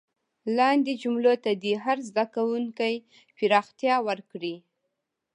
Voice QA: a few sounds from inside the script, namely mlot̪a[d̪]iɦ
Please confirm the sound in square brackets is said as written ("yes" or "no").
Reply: yes